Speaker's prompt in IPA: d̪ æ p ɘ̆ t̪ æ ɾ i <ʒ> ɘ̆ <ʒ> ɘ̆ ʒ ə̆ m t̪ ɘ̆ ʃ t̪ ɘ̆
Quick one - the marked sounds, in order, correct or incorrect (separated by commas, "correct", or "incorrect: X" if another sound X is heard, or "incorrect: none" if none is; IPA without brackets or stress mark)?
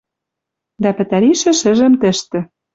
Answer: incorrect: ʃ, incorrect: ʃ